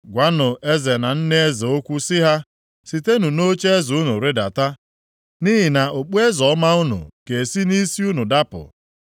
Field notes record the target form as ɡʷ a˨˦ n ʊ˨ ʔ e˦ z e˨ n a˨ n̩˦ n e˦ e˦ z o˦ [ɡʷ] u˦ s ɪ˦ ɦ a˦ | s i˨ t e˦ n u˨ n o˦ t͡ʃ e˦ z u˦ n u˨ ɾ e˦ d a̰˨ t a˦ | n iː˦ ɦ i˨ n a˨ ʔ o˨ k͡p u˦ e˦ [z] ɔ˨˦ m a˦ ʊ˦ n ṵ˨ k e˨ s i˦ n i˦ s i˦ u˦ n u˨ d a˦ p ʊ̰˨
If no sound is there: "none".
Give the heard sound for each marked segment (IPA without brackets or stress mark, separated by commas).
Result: kʷ, z